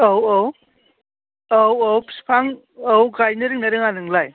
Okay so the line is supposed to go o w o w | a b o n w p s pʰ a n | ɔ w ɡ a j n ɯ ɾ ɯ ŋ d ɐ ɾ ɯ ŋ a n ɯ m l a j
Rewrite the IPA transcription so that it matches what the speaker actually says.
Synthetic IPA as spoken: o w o w | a w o w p s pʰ a ŋ | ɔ w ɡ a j n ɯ ɾ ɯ ŋ n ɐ ɾ ɯ ŋ a n ɯ ŋ l a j